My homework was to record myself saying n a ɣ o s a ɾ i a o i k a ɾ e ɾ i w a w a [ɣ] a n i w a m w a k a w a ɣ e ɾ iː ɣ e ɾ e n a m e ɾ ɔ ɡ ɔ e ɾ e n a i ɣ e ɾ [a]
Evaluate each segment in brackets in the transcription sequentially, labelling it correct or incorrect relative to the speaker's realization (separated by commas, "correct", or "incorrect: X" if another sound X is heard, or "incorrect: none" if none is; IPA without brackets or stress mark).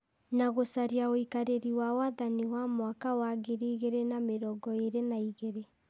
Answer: incorrect: ð, incorrect: e